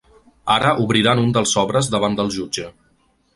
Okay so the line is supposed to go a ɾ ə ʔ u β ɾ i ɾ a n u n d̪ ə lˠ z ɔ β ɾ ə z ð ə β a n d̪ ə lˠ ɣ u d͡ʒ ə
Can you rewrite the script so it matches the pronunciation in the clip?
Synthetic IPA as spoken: a ɾ ə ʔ u β ɾ i ɾ a n u n d̪ ə lˠ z ɔ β ɾ ə z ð ə β a n d̪ ə lˠ ʒ u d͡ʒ ə

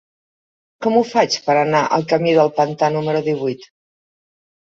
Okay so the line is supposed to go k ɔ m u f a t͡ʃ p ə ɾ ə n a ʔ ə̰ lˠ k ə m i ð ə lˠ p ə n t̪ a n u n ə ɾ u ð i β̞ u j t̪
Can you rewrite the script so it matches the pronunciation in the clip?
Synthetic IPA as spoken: k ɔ m u f a t͡ʃ p ə ɾ ə n a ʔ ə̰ lˠ k ə m i ð ə lˠ p ə n t̪ a n u m ə ɾ u ð i β̞ u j t̪

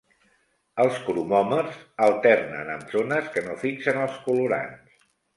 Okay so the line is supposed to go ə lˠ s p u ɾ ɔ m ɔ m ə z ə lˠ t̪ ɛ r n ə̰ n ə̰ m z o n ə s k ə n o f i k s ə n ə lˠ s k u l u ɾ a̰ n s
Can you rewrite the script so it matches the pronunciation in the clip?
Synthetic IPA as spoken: ə lˠ s k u ɾ u m ɔ m ə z ə lˠ t̪ ɛ r n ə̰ n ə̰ m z o n ə s k ə n o f i k s ə n ə lˠ s k u l u ɾ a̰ n s

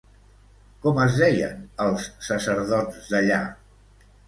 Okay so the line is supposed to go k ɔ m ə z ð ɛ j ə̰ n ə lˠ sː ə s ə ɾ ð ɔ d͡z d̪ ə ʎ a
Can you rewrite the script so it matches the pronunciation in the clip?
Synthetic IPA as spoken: k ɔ m ə z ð ɛ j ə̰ n ə lˠ sː ə s ə ɾ ð ɔ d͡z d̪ ə ʎ a

